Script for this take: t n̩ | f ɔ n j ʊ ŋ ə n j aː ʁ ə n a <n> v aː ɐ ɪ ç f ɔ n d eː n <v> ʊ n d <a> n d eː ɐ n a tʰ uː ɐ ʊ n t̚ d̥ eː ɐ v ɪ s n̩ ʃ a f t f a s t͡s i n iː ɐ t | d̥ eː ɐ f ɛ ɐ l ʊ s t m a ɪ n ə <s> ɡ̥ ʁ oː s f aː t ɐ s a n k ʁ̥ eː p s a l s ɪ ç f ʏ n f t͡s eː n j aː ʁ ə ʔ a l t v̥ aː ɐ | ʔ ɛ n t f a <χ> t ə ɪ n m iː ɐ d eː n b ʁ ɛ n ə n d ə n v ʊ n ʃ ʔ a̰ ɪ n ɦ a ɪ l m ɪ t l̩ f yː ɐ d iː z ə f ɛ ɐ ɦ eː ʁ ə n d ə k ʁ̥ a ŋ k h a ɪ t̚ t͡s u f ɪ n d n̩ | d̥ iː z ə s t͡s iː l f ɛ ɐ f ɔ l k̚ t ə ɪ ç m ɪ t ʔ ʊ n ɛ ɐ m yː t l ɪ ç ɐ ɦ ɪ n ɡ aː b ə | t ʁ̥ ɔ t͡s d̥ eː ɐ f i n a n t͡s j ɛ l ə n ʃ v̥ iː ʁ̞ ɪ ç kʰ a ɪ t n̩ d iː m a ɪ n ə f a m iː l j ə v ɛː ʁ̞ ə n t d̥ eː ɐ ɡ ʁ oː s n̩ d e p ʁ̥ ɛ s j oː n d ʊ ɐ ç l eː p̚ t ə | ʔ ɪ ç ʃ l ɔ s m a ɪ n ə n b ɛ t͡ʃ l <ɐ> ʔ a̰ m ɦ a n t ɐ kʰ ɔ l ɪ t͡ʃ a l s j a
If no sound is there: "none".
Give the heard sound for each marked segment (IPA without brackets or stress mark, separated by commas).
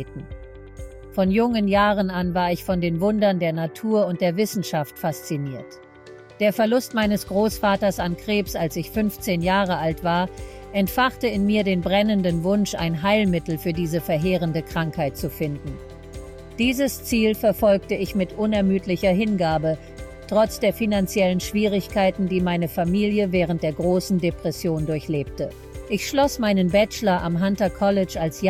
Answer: n, v, ɐ, s, χ, ɐ